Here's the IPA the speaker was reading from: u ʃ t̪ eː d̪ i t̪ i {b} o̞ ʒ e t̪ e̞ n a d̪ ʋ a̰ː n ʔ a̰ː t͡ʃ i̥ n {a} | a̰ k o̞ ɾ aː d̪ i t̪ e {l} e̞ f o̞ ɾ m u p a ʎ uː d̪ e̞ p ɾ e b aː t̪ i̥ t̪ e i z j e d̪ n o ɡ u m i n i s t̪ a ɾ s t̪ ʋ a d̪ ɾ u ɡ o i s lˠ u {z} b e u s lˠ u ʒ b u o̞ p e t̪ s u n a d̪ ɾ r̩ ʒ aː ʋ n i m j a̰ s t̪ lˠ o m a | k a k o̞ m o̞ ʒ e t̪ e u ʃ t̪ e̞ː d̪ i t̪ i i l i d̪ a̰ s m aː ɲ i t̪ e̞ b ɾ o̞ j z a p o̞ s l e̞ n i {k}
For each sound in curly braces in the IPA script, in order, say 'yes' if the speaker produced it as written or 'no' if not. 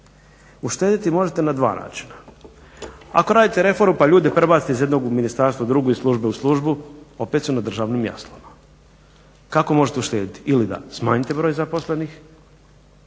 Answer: no, yes, no, no, no

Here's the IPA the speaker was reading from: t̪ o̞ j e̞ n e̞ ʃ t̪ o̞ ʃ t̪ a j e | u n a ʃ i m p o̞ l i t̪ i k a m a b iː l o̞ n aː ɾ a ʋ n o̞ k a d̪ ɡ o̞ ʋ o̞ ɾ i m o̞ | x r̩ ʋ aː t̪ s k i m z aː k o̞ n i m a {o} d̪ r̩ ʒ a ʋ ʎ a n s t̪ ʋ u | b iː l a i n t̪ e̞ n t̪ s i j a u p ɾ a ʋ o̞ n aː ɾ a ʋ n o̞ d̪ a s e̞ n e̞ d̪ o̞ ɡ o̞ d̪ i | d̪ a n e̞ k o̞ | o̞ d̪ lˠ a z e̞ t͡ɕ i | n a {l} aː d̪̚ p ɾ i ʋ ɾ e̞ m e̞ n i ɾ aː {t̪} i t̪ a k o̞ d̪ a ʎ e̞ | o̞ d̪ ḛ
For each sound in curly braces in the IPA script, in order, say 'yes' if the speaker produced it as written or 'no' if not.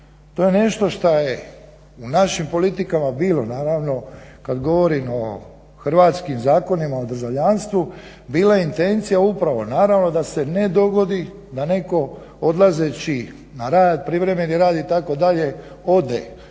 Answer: yes, no, no

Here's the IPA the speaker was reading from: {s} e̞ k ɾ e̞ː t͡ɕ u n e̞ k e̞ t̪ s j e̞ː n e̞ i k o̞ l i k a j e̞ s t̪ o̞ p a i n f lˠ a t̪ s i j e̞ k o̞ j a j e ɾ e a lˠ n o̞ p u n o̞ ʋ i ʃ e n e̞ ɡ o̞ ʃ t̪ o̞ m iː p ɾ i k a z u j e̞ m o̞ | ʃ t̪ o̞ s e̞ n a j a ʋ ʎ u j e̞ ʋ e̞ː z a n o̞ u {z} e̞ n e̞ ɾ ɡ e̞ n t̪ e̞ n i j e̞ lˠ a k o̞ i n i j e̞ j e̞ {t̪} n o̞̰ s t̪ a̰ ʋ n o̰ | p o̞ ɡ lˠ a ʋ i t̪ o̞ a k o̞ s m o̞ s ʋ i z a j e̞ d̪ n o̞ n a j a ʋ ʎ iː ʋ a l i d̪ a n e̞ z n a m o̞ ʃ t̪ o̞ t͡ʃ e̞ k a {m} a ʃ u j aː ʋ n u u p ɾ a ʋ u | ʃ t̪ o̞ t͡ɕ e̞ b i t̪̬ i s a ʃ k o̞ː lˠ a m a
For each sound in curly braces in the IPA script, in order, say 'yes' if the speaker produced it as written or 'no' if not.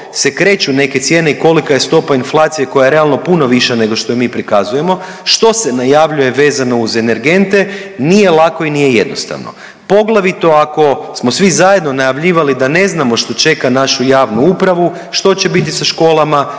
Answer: yes, yes, no, no

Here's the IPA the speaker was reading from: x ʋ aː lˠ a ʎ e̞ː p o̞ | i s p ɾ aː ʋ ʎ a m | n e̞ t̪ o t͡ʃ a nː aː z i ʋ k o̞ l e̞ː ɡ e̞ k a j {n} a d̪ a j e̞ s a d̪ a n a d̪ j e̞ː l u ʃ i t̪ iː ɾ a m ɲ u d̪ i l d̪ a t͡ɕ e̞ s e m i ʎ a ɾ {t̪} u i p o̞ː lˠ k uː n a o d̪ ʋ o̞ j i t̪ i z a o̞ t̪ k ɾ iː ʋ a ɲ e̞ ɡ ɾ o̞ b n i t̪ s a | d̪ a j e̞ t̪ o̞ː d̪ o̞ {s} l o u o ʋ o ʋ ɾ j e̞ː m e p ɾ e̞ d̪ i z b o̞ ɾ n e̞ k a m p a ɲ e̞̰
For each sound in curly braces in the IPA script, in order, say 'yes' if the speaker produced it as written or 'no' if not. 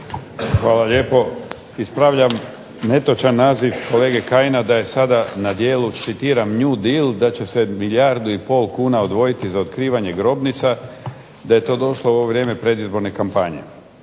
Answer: yes, no, no

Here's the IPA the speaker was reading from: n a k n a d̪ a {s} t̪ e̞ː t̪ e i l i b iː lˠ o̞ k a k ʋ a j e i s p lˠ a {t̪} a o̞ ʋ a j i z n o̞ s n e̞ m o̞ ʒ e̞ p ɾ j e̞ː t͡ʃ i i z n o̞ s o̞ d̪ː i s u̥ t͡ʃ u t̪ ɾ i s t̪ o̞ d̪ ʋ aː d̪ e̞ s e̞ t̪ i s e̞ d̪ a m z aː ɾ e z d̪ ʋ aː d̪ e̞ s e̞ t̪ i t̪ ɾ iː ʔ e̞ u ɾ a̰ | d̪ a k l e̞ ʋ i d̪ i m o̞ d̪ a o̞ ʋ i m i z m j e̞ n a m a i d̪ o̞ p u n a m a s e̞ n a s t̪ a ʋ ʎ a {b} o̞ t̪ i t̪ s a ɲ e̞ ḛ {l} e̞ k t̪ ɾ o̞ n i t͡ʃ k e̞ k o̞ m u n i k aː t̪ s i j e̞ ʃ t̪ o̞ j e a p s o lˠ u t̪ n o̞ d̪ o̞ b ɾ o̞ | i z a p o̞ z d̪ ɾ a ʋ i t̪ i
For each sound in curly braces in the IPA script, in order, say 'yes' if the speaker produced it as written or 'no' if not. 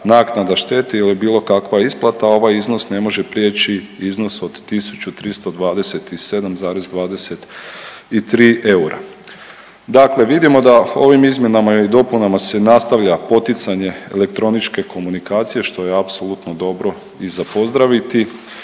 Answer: no, yes, no, yes

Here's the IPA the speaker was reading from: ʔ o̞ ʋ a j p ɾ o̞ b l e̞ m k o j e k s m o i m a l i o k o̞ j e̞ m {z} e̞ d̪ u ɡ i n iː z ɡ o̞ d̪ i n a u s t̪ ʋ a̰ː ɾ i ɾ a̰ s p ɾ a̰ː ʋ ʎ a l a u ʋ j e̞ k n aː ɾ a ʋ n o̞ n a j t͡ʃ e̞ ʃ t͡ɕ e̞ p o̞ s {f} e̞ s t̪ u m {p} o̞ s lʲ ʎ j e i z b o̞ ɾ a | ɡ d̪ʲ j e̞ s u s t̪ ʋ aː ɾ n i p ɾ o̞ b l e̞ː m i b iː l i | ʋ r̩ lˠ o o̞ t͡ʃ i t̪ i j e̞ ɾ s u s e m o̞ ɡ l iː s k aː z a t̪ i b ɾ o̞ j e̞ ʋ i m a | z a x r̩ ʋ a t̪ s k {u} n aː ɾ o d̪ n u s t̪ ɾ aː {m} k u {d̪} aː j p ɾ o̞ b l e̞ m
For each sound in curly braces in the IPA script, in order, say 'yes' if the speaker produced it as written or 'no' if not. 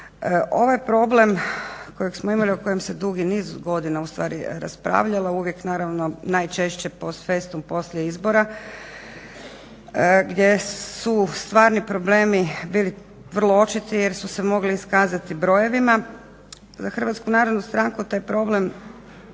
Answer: no, yes, yes, yes, no, no

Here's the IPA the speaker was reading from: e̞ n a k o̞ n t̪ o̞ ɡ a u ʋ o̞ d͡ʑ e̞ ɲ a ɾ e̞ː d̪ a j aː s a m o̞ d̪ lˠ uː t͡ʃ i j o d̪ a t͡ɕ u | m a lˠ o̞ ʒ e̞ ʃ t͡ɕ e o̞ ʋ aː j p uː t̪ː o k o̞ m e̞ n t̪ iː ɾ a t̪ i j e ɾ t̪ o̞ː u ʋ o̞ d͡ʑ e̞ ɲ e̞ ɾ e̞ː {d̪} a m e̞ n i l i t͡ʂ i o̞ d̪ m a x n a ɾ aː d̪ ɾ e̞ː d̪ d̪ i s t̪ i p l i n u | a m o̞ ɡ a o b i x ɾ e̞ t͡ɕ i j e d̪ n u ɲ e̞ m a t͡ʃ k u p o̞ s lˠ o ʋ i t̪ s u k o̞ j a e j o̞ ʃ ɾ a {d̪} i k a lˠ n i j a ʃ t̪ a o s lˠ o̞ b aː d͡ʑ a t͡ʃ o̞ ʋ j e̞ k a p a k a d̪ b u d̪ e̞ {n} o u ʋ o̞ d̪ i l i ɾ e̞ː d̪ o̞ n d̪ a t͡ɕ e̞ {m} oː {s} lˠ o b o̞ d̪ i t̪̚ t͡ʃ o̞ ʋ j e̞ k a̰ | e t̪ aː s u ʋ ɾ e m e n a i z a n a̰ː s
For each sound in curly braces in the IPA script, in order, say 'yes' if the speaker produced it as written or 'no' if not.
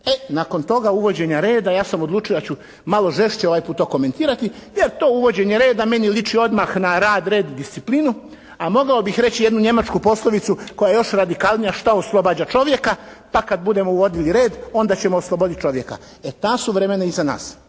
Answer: yes, yes, no, yes, yes

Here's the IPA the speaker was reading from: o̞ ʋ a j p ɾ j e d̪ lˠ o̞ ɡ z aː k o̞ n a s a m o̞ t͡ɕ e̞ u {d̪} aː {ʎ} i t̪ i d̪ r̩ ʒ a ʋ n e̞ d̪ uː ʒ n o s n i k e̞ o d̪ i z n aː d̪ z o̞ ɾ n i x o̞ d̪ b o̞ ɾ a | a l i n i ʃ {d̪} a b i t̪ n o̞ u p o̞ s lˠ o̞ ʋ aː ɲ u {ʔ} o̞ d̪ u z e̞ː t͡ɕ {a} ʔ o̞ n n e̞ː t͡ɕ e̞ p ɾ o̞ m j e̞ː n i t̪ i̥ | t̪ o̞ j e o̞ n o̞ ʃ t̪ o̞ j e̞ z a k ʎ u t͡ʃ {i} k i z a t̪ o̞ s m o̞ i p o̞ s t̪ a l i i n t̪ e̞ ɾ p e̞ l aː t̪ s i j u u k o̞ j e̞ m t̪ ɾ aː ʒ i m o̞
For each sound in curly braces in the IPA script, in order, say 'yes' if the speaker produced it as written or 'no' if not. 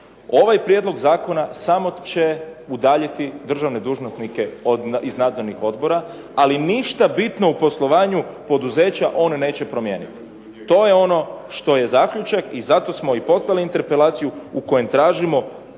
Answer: yes, yes, no, no, yes, no

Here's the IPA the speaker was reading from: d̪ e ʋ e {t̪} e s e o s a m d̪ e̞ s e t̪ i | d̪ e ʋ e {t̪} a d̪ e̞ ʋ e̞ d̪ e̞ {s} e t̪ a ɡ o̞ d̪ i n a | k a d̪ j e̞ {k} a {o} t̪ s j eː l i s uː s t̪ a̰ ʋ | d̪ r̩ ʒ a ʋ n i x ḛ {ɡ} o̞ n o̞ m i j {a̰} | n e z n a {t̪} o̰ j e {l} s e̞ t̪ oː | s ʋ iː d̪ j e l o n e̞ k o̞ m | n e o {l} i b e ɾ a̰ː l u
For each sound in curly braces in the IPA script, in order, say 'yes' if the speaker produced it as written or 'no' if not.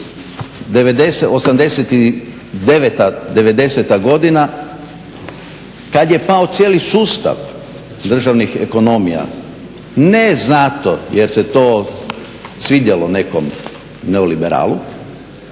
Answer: no, yes, yes, no, yes, no, yes, yes, no, yes

